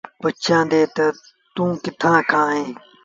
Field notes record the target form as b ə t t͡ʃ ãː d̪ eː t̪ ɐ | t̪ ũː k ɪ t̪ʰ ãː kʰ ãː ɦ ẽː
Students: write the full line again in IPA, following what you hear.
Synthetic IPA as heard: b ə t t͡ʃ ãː d̪ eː t̪ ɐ | t̪ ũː k ɪ t̪ʰ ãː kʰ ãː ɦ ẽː